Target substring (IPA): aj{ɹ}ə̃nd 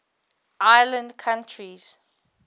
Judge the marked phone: incorrect: l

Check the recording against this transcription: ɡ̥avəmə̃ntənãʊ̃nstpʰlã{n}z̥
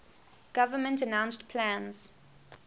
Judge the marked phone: correct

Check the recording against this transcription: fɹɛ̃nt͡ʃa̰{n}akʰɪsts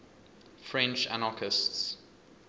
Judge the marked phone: correct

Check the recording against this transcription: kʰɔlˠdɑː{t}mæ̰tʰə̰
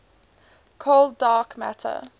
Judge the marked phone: incorrect: k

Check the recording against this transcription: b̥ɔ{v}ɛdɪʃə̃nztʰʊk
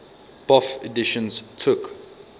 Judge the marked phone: incorrect: f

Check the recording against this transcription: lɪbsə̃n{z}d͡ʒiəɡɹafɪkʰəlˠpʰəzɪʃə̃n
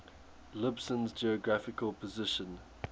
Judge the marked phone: correct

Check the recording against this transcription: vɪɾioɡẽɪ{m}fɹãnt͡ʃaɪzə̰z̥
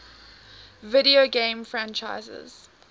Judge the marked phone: correct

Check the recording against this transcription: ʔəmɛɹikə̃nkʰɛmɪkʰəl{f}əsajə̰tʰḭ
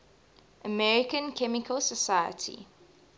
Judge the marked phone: incorrect: s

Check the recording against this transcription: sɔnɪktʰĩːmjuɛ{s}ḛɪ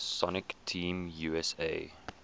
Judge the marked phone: correct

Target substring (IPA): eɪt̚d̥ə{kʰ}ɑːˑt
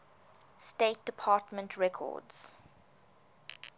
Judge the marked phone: incorrect: pʰ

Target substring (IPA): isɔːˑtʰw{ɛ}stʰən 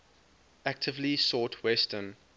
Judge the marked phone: correct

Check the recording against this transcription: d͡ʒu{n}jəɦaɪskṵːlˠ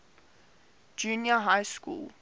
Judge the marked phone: correct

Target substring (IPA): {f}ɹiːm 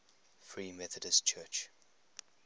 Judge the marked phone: correct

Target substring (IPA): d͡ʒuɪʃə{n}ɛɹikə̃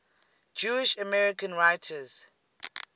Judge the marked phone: incorrect: m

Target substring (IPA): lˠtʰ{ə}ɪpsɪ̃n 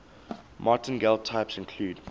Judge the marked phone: incorrect: a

